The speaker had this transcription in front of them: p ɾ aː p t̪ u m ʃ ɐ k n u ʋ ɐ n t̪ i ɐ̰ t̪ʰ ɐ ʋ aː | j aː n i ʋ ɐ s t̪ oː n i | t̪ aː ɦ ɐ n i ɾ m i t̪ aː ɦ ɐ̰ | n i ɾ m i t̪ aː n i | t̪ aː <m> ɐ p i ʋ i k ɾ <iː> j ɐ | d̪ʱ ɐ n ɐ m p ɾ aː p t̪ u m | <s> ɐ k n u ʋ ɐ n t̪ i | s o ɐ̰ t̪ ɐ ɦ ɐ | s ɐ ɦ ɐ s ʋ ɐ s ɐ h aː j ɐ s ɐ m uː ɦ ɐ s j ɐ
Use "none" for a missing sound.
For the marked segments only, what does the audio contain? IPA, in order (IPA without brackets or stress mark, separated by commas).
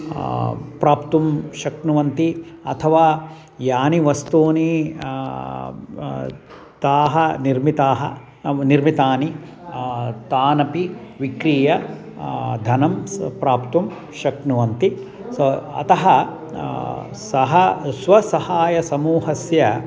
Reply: n, iː, ʃ